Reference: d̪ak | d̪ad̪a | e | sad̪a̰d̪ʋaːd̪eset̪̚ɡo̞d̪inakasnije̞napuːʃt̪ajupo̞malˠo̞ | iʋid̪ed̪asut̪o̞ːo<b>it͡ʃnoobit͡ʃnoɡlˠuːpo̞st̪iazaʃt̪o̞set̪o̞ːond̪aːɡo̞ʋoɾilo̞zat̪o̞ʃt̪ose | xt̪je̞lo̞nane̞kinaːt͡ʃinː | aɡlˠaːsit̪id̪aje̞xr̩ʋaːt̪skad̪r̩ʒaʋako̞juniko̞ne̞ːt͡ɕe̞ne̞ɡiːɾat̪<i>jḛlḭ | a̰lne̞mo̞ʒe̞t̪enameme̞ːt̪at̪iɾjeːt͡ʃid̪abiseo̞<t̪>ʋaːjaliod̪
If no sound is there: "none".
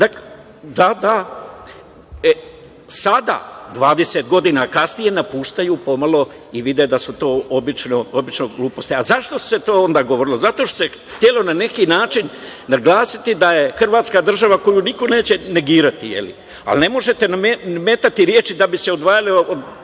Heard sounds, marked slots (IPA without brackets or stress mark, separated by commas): b, i, d̪